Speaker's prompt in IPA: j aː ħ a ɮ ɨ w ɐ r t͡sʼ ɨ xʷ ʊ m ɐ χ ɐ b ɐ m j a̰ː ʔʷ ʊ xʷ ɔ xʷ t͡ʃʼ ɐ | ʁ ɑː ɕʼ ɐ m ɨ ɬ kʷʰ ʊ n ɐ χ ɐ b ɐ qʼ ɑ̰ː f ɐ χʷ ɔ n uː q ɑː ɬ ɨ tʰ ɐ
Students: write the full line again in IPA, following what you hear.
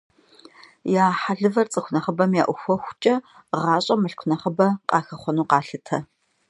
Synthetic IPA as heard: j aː ħ a ɮ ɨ v ɐ r t͡sʼ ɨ xʷ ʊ n ɐ χ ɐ b ɐ m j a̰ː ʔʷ ʊ xʷ ɔ xʷ t͡ʃʼ ɐ | ʁ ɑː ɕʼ ɐ m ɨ ɬ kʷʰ ʊ n ɐ χ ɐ b ɐ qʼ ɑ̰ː x ɐ χʷ ɔ n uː q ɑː ɬ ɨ tʰ ɐ